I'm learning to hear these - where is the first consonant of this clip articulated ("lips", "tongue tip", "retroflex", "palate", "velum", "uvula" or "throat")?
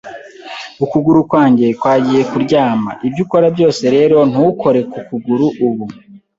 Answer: velum